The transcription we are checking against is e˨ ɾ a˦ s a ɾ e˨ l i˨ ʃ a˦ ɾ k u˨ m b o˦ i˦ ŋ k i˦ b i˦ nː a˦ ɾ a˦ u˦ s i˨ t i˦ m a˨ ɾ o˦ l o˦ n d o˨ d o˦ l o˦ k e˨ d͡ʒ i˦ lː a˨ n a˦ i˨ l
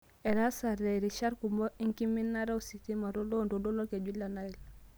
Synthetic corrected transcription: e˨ ɾ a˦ s a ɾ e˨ ɾ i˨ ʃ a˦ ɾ k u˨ m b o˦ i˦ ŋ k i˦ m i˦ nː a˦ ɾ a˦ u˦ s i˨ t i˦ m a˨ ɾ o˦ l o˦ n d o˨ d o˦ l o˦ k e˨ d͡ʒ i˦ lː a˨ n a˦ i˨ l